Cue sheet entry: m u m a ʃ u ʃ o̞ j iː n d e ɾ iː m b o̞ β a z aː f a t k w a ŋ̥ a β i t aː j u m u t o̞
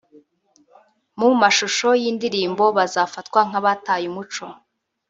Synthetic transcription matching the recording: m u m a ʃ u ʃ o̞ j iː n d i ɾ iː m b o̞ β a z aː f a t k w a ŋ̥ a β a t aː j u m u t͡ʃ o̞